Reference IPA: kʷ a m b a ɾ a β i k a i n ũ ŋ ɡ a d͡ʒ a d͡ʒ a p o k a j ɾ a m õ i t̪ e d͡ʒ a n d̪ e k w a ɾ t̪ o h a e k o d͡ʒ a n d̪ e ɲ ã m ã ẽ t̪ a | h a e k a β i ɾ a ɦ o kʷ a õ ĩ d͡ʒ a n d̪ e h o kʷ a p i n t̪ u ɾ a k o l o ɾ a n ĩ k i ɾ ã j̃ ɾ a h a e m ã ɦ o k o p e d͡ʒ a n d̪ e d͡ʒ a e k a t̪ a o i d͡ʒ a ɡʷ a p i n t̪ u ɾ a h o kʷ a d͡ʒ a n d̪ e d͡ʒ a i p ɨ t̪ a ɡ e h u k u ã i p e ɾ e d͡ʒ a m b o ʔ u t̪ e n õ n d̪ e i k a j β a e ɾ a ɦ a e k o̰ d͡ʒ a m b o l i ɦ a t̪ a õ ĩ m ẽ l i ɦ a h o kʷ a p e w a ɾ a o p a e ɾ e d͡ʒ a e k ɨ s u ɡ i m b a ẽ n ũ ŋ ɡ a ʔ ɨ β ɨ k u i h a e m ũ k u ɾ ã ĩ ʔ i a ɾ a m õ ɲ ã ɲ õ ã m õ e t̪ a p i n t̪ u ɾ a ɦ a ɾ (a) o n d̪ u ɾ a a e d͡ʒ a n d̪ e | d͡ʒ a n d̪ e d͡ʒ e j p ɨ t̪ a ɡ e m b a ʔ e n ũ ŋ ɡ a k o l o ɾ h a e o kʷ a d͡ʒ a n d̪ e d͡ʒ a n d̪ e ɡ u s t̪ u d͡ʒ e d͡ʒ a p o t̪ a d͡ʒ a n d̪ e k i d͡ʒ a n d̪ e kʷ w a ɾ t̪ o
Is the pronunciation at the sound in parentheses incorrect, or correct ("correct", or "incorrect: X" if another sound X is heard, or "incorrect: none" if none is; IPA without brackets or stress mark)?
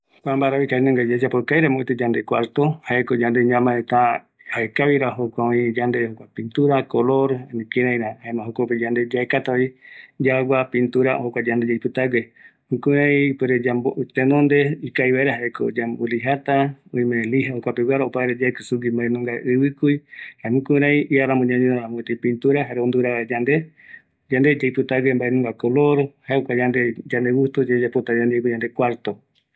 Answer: incorrect: e